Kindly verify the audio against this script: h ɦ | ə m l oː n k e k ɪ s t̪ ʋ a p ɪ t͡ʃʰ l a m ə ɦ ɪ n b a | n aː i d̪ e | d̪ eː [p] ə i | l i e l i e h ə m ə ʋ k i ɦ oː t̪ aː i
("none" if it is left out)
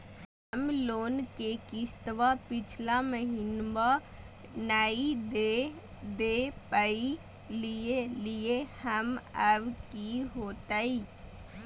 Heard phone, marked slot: p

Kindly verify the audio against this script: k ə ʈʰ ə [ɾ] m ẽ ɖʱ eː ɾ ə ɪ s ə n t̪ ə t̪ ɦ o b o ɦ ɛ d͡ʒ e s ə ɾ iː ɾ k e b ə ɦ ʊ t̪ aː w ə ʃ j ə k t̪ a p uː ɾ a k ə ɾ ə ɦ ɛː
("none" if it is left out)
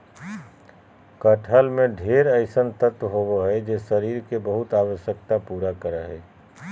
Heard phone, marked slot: l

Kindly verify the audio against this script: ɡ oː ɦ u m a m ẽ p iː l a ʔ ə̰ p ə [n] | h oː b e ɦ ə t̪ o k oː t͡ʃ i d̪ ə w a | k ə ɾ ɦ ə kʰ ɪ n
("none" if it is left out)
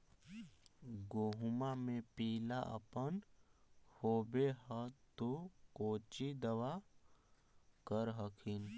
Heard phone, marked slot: n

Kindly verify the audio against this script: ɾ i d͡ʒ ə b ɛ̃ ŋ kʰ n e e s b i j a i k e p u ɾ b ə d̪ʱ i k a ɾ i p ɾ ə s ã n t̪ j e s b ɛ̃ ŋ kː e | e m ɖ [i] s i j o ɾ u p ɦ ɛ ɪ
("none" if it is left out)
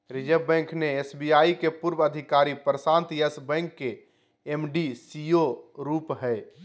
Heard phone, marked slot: i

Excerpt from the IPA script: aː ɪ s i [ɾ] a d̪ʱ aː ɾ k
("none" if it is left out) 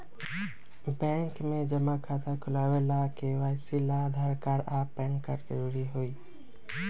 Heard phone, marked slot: l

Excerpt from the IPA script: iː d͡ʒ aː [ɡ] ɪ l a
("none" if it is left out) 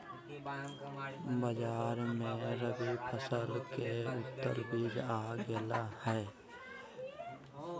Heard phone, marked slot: ɡ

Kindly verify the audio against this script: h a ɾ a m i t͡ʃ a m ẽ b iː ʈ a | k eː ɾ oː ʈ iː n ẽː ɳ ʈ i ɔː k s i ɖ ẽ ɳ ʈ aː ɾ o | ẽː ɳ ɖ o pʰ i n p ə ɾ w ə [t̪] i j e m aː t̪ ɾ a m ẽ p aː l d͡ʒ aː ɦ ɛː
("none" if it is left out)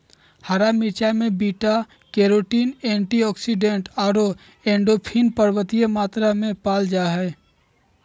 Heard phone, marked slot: t̪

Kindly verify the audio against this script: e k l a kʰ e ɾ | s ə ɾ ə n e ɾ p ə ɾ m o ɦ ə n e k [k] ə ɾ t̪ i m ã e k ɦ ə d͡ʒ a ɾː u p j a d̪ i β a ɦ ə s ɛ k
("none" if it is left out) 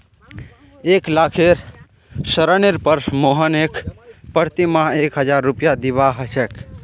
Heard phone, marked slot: p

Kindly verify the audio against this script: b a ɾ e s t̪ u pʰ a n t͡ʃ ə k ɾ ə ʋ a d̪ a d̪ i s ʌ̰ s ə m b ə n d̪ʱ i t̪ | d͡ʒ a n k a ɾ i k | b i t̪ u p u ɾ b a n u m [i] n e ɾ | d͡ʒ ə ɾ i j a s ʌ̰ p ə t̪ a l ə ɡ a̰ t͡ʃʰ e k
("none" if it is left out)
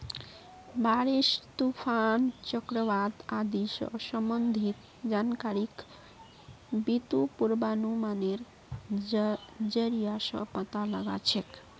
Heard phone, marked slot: a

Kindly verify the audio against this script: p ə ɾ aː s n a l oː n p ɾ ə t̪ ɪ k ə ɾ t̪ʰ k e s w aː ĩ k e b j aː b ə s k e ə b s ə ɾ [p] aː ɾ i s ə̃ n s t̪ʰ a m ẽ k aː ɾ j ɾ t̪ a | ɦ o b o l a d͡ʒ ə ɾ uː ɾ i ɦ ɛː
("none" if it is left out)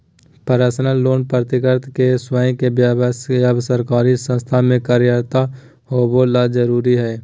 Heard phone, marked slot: k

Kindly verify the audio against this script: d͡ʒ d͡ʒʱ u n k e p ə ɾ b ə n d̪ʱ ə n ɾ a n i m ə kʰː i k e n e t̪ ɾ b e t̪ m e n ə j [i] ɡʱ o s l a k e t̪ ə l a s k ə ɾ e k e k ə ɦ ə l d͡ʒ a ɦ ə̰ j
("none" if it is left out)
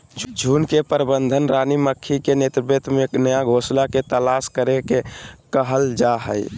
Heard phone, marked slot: a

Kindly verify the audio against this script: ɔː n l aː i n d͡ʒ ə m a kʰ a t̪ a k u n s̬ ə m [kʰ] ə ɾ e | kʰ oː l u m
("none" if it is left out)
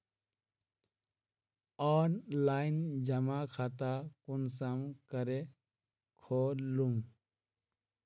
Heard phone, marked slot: k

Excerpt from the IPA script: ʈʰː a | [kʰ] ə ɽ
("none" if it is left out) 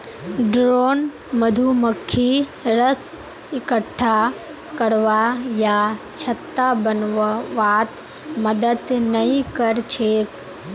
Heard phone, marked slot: k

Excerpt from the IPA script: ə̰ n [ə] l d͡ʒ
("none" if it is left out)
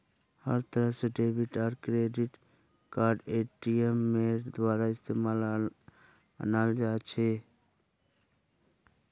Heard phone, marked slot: a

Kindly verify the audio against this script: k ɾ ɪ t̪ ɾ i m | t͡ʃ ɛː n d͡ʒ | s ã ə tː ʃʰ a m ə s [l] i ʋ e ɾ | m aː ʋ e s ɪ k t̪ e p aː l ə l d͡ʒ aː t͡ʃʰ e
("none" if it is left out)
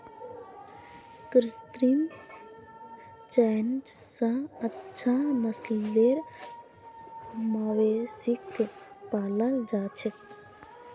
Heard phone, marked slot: l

